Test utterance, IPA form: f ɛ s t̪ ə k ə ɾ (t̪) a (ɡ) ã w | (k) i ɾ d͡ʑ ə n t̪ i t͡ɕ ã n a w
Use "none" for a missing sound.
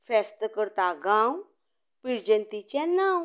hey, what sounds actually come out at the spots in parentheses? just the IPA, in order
t̪, ɡ, p

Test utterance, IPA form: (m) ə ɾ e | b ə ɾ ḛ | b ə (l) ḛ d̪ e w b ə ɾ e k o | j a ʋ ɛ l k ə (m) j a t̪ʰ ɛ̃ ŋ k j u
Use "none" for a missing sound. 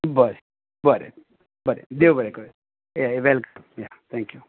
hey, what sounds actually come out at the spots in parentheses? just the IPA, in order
b, ɾ, m

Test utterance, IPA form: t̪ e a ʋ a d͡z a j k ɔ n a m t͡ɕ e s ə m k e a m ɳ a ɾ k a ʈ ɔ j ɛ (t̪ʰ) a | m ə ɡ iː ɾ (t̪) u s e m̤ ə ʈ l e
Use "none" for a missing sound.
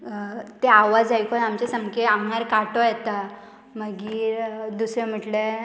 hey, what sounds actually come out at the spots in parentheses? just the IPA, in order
t̪, d̪

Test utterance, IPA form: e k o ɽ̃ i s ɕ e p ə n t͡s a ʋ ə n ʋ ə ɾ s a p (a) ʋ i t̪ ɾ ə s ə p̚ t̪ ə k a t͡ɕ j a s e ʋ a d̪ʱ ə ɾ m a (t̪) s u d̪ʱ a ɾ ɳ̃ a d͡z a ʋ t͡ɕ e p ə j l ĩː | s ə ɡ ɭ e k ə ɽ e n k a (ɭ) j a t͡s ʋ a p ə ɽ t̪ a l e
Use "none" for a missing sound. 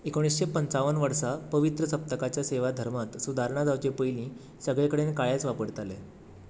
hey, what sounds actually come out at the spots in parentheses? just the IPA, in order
ə, t̪, ɭ

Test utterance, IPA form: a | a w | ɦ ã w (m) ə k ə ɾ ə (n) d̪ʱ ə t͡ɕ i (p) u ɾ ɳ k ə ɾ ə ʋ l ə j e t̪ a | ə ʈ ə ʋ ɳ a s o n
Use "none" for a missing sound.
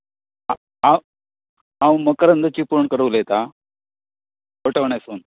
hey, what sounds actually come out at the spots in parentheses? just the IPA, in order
m, n, p

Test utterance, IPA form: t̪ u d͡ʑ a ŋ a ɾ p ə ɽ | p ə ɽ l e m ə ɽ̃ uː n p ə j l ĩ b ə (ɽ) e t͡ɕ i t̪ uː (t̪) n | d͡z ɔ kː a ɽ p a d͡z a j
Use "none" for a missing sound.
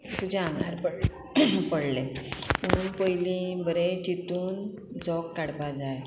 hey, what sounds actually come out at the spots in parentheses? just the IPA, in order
ɾ, none

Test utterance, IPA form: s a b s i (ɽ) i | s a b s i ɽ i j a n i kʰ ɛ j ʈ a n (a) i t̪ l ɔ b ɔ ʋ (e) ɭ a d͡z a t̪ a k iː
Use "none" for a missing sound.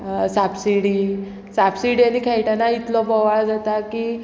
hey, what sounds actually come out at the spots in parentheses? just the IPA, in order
ɽ, a, a

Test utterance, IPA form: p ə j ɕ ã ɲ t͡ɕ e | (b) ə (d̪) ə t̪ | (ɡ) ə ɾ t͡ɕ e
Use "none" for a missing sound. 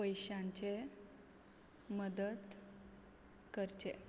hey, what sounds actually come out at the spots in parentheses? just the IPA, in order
m, d̪, k

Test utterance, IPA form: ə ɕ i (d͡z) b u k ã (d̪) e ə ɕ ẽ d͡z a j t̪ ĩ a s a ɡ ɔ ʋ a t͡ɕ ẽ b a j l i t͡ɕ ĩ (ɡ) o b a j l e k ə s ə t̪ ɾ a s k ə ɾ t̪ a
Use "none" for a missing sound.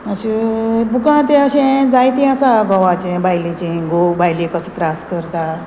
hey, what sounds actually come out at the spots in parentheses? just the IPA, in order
none, t̪, ɡ

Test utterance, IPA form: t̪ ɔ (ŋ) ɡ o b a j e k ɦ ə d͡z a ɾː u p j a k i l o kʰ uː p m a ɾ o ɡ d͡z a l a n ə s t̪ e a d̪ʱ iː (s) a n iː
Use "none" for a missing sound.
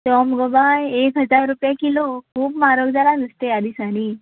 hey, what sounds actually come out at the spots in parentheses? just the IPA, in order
m, s

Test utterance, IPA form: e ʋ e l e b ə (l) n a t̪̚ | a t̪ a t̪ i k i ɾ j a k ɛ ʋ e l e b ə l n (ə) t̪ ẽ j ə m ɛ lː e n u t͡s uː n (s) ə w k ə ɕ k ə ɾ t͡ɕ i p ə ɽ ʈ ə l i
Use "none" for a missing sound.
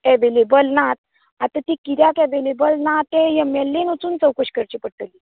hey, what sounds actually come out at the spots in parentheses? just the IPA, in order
l, a, t͡s

